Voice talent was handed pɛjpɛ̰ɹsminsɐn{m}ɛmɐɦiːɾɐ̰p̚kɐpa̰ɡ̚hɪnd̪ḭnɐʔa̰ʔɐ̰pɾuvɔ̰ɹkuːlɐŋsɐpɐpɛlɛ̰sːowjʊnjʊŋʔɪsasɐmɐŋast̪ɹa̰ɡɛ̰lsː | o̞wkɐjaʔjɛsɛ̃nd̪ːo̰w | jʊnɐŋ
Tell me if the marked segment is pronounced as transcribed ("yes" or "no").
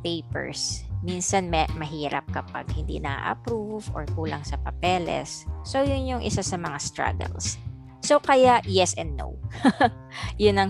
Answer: yes